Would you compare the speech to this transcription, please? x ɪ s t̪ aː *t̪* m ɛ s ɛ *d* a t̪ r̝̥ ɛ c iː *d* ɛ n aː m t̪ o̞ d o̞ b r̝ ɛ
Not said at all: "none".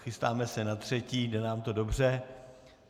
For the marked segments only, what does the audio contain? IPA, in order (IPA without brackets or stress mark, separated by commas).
none, n, d